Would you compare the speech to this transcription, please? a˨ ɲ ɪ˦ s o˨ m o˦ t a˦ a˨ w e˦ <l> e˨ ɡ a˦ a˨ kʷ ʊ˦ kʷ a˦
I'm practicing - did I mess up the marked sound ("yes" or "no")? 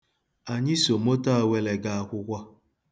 no